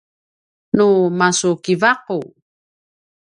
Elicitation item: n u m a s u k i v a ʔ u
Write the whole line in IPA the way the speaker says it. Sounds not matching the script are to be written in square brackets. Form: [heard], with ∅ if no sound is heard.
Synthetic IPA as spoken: n u m a s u k i v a [q] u